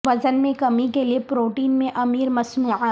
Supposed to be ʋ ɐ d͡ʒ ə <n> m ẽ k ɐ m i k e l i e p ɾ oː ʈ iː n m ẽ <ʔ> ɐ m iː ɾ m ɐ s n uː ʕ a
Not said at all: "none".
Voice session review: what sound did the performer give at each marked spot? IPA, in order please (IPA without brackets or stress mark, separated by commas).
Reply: n, ʔ